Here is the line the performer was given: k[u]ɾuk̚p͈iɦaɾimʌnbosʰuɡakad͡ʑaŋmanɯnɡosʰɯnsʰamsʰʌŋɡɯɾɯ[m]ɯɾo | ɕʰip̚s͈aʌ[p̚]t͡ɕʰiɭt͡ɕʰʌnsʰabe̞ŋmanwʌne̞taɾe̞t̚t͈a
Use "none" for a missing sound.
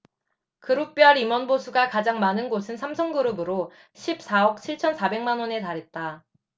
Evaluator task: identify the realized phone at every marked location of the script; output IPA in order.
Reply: ɯ, b, k̚

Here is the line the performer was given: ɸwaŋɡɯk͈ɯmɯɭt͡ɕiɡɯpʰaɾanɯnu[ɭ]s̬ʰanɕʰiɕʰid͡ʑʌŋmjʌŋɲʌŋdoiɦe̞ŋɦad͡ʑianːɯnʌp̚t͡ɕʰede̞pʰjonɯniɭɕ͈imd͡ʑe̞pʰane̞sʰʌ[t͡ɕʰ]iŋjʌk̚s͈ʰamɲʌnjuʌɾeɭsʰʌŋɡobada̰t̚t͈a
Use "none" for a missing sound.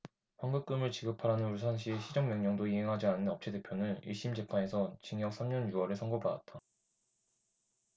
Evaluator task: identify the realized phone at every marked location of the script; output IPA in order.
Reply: ɭ, t͡ɕ

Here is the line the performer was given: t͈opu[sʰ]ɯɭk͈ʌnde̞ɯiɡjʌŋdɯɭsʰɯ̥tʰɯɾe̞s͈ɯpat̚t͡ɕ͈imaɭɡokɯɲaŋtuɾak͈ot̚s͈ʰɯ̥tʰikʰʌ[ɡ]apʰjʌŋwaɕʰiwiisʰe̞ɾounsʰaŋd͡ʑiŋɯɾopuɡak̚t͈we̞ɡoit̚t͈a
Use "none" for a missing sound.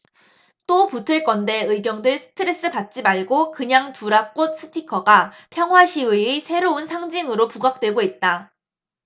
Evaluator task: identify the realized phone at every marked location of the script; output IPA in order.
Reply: tʰ, ɡ

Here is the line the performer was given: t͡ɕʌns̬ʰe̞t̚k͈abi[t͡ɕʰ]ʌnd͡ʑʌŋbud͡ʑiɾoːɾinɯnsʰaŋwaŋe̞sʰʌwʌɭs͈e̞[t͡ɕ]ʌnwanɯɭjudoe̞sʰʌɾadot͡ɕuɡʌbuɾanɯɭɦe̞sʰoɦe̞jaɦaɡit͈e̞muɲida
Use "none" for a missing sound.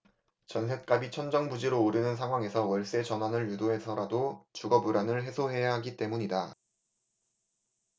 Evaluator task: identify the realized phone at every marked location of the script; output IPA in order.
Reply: t͡ɕʰ, t͡ɕ

